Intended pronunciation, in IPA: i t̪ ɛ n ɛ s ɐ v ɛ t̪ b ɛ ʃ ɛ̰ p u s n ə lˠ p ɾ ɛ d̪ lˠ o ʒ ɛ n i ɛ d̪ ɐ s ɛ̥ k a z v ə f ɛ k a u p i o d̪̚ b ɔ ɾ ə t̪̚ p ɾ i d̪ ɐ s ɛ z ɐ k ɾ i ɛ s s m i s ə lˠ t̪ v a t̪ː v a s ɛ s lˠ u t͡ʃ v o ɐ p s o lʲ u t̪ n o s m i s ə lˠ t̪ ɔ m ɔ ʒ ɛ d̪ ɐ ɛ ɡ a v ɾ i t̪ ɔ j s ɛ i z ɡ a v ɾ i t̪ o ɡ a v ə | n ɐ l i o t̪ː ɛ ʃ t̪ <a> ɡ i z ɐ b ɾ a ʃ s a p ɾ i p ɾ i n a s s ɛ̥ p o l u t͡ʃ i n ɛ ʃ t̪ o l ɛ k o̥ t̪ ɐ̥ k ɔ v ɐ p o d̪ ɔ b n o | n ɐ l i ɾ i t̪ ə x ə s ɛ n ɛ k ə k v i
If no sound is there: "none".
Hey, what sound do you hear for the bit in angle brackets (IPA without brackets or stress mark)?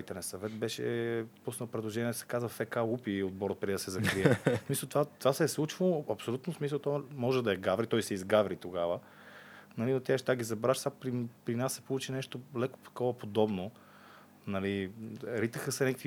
a